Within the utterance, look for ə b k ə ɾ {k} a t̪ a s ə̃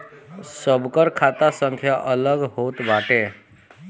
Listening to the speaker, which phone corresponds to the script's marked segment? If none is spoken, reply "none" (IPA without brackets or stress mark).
kʰ